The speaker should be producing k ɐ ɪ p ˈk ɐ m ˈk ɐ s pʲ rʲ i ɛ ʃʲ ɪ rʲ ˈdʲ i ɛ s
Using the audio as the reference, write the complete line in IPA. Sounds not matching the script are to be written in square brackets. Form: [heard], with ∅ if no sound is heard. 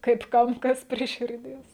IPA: k ɐ ɪ p ˈk ɐ m ˈk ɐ s pʲ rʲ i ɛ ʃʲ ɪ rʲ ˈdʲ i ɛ s